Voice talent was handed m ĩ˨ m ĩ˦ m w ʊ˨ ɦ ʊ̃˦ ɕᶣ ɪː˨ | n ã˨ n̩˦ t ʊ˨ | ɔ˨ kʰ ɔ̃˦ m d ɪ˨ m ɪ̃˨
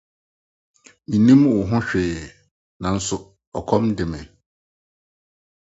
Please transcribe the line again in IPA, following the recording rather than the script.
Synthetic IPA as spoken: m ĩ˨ n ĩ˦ m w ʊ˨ ɦ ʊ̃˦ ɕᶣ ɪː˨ | n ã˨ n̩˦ s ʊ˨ | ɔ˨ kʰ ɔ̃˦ m d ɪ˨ m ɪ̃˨

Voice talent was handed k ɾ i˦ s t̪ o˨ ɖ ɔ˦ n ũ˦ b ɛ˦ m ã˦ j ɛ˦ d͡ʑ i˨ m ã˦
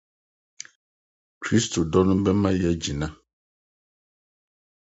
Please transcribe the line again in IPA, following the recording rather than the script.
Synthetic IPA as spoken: k ɾ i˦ s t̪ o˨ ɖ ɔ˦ n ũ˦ b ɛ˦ m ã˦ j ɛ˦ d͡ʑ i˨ n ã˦

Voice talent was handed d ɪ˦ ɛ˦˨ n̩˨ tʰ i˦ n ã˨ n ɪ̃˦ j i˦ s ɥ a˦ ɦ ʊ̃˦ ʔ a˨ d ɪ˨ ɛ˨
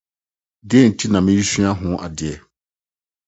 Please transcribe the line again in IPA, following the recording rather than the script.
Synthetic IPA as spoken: d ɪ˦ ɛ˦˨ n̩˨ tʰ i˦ n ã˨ m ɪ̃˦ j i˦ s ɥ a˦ ɦ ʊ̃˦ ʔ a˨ d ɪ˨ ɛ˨

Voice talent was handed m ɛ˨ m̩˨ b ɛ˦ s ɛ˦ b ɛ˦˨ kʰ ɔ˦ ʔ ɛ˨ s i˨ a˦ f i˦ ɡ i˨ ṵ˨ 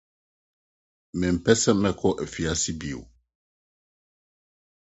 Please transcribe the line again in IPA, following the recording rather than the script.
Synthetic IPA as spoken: m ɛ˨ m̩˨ p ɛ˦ s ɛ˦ m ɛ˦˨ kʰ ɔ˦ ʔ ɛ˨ f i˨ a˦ s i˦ b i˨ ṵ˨

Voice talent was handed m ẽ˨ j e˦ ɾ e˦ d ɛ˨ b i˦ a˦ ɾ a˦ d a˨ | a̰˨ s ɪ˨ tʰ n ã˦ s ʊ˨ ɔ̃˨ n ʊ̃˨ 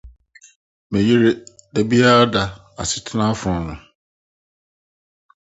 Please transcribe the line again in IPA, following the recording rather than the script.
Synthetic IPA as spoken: m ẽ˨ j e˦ ɾ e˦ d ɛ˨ b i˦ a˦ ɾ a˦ d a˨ | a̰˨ s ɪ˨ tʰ n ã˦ f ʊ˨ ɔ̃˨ n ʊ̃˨

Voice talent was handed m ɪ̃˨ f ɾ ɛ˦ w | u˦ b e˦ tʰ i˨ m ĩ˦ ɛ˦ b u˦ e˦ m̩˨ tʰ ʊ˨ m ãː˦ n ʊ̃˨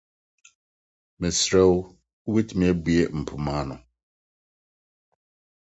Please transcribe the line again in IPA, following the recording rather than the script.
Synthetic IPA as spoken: m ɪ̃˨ s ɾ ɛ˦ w | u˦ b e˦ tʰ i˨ m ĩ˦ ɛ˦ b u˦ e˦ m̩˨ pʰ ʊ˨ m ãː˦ n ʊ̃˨

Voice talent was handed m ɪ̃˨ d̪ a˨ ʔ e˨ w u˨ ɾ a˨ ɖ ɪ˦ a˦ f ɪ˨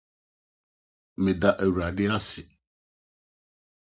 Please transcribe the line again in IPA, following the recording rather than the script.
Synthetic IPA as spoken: m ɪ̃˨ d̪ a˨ ʔ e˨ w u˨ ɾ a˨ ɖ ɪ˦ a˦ s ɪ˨

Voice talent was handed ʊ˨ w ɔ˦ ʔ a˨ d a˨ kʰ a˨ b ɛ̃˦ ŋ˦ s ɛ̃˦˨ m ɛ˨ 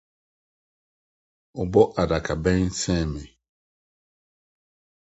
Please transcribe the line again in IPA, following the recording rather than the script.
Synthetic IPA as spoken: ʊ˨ b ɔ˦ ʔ a˨ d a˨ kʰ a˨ b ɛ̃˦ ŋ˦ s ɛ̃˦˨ m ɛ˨

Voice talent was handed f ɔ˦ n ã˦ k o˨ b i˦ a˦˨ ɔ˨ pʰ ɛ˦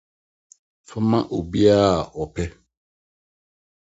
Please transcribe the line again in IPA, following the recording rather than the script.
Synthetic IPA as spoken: f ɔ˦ m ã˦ ʔ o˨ b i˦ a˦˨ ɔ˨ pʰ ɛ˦

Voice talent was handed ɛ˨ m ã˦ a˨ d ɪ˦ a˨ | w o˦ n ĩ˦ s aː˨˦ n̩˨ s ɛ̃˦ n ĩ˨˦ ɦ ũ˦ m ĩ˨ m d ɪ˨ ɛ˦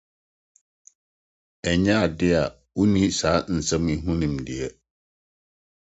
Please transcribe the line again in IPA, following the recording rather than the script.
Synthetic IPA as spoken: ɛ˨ ɲ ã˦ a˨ d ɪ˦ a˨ | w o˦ n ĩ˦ s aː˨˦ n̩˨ s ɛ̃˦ m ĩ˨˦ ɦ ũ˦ n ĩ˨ m d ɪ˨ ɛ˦

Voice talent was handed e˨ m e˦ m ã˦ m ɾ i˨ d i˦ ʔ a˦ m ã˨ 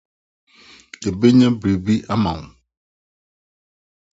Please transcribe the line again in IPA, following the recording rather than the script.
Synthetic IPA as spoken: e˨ b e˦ ɲ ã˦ b ɾ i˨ b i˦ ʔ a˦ m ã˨

